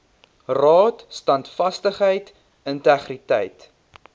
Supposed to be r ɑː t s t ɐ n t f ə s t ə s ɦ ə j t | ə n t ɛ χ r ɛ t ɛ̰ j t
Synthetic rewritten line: r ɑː t s t ɐ n t f ɐ s t ə χ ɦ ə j t | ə n t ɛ χ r i t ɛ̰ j t